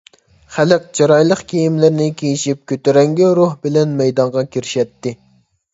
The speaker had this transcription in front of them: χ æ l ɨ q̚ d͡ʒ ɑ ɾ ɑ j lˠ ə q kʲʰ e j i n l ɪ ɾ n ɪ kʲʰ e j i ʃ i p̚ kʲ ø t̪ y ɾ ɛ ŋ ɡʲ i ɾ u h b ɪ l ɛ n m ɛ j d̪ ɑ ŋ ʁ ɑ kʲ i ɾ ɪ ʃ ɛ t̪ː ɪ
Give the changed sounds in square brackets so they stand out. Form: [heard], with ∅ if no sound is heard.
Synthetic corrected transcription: χ æ l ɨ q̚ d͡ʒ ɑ ɾ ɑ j lˠ ə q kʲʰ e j i [m] l ɪ ɾ n ɪ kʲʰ e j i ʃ i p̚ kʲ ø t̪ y ɾ ɛ ŋ ɡʲ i ɾ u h b ɪ l ɛ n m ɛ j d̪ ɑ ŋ ʁ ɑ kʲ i ɾ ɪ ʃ ɛ t̪ː ɪ